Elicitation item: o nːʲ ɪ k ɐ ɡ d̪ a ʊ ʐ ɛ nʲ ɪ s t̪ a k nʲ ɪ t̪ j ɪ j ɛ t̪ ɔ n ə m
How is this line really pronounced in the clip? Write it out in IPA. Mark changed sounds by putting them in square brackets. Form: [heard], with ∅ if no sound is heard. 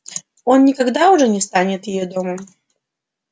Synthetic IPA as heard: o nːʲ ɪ k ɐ ɡ d̪ a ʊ ʐ ɛ nʲ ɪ s t̪ a [∅] nʲ ɪ t̪ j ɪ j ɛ [d̪] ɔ [m] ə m